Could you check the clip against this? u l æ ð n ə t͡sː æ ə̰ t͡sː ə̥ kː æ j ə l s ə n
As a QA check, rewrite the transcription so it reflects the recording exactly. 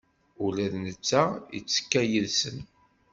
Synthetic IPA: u l æ ð n ə t͡sː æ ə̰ t͡sː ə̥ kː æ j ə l s ə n

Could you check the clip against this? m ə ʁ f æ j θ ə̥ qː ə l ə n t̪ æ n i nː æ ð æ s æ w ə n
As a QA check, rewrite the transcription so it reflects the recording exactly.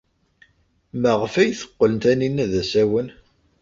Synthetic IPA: m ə ʁ f æ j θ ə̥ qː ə l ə n t̪ æ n i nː æ ð æ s æ w ə n

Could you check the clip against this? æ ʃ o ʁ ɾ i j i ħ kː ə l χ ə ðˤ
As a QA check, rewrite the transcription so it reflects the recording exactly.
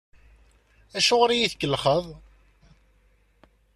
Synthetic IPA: æ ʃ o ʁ ɾ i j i θ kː ə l χ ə ðˤ

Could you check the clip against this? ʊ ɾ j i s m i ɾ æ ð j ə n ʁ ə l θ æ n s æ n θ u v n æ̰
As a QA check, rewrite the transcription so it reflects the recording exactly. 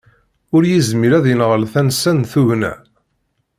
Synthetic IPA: ʊ ɾ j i z m i ɾ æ ð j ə n ʁ ə l θ æ n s æ n θ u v n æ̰

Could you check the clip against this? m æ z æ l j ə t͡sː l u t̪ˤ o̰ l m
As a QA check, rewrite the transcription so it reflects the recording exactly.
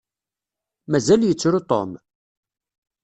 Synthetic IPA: m æ z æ l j ə t͡sː ɾ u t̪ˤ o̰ m

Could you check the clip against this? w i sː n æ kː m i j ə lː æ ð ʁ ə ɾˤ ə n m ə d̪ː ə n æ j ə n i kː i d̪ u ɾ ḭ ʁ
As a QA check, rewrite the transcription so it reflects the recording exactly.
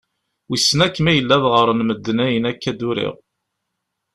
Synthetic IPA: w i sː n æ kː m æ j ə lː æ ð ʁ ə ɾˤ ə n m ə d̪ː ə n æ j ə n æ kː æ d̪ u ɾ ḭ ʁ

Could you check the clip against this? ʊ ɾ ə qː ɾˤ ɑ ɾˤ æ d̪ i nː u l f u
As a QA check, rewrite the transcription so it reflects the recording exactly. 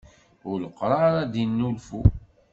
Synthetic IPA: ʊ l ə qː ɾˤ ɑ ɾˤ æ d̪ i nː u l f u

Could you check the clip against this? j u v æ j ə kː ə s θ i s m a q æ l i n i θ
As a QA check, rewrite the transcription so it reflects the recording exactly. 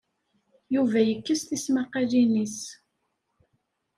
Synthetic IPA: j u v æ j ə kː ə s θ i s m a q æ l i n i s

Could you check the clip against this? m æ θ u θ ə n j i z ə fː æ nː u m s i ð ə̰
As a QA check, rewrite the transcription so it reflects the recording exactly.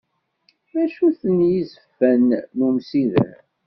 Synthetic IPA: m æ ʃ u θ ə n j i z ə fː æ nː u m s i ð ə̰

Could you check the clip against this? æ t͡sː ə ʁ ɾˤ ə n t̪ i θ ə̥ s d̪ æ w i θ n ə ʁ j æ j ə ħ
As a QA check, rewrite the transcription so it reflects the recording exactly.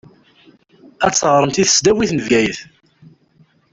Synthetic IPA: æ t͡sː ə ʁ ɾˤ ə m t̪ i θ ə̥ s d̪ æ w i θ n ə v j æ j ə θ

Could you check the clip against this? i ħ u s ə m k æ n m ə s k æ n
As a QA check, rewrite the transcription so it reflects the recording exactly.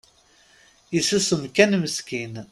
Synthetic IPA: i s u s ə m k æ n m ə s k i n

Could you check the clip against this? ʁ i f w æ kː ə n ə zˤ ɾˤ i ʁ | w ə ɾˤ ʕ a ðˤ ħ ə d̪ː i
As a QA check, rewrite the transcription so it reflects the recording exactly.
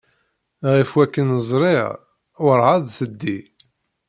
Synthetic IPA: ʁ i f w æ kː ə n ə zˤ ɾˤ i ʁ | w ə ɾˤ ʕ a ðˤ θ ə d̪ː i

